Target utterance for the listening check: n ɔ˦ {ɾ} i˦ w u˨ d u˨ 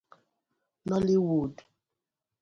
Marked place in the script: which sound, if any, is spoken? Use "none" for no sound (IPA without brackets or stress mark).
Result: l